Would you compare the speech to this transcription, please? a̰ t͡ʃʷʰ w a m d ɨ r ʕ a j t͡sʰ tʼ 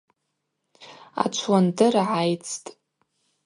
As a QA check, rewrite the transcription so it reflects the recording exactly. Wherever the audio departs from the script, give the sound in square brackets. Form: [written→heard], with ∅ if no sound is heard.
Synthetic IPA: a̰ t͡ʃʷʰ w a [m→n] d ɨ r ʕ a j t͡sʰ tʼ